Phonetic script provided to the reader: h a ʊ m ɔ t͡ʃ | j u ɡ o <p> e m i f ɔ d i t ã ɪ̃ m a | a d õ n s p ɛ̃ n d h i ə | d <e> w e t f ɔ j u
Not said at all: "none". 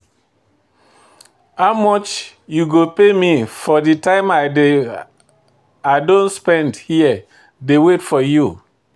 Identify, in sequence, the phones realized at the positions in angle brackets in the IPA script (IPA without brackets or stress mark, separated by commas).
p, e